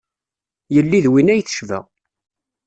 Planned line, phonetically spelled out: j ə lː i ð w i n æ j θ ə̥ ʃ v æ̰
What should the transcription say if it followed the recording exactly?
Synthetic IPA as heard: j ə lː i ð w i n æ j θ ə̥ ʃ v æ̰